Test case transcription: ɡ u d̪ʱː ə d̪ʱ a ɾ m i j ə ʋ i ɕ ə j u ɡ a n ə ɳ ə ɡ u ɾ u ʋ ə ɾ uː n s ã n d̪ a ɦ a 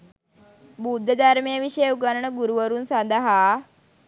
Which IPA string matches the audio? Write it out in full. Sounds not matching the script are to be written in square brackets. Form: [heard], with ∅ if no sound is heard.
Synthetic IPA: [b] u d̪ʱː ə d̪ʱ a ɾ m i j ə ʋ i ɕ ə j u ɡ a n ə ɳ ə ɡ u ɾ u ʋ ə ɾ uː n s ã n d̪ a ɦ a

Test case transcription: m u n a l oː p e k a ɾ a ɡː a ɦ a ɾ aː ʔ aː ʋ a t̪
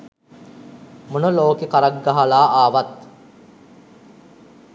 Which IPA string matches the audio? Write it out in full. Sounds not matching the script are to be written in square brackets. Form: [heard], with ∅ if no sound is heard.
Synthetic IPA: m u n [ə] l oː [k] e k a ɾ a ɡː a ɦ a [l] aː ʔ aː ʋ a t̪

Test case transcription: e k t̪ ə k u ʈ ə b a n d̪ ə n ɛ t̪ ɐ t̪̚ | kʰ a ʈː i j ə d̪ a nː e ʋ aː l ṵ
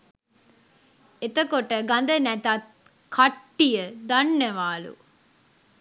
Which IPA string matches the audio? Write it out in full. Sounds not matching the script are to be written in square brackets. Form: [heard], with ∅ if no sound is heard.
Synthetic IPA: e [∅] t̪ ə k [o] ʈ ə [ɡ] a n d̪ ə n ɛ t̪ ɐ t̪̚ | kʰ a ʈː i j ə d̪ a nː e ʋ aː l ṵ

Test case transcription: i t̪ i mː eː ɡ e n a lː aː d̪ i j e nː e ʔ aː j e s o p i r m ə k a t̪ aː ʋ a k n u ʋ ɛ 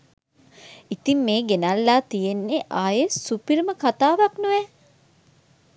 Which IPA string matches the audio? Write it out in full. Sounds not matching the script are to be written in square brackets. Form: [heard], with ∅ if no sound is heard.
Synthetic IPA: i t̪ i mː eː ɡ e n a lː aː [t̪] i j e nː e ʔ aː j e s [u] p i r m ə k a t̪ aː ʋ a k n u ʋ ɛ

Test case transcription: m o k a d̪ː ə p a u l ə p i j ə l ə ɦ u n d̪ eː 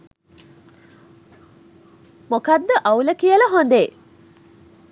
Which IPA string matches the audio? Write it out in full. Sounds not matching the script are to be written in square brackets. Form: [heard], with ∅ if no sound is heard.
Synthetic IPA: m o k a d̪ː ə [ʔ] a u l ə [k] i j ə l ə ɦ [o] n d̪ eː

